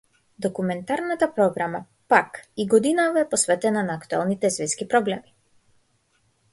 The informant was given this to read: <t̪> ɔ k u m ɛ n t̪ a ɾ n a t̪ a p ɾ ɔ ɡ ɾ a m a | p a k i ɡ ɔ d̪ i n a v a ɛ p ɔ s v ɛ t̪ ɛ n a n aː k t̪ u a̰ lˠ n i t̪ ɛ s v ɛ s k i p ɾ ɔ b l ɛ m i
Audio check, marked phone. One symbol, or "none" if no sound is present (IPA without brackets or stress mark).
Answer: d̪